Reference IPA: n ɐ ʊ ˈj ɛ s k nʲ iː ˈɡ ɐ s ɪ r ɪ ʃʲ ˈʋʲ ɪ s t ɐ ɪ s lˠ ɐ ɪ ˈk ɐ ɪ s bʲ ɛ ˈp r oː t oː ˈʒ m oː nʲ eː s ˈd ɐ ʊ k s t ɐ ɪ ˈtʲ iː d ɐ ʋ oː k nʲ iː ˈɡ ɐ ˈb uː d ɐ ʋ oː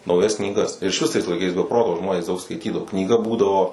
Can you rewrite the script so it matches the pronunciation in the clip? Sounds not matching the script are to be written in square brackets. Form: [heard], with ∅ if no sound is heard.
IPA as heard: n ɐ ʊ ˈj ɛ s k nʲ iː ˈɡ ɐ s ɪ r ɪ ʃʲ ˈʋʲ ɪ s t ɐ ɪ s lˠ ɐ ɪ ˈk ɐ ɪ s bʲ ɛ ˈp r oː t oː ˈʒ m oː nʲ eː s ˈd ɐ ʊ k s [k] ɐ ɪ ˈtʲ iː d ɐ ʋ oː k nʲ iː ˈɡ ɐ ˈb uː d ɐ ʋ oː